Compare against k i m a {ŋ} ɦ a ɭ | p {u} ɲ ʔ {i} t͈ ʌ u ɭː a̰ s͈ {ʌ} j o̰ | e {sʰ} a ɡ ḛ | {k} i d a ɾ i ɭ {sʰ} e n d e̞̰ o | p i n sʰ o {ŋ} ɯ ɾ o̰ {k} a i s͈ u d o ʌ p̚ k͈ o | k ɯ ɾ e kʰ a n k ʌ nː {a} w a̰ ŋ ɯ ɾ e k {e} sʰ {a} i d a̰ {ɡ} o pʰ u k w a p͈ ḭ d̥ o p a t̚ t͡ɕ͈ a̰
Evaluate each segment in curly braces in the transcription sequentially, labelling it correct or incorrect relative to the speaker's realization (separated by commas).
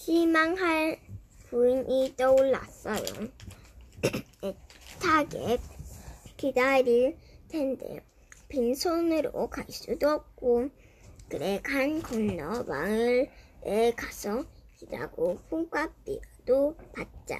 correct, correct, correct, correct, incorrect, correct, incorrect, incorrect, correct, incorrect, incorrect, incorrect, correct